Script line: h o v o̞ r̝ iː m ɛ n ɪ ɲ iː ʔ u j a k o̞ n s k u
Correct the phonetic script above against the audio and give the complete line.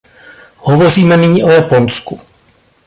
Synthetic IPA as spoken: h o v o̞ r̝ iː m ɛ n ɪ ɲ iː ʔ o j a p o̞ n s k u